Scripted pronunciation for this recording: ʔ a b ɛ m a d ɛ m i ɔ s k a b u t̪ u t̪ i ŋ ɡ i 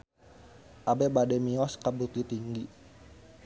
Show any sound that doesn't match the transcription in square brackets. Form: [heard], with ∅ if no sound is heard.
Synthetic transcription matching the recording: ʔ a b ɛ [b] a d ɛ m i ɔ s k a b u t̪ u t̪ i ŋ ɡ i